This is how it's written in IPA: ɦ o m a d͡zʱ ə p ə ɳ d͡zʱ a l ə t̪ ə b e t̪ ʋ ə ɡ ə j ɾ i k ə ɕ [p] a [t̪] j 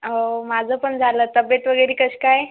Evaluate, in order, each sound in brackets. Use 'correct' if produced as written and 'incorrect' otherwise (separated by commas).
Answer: incorrect, incorrect